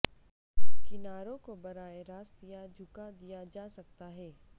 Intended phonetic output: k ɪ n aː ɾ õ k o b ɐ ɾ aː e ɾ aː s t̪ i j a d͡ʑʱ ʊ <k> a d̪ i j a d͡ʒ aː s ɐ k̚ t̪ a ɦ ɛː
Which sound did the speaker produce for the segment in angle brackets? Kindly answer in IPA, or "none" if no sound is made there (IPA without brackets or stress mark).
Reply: k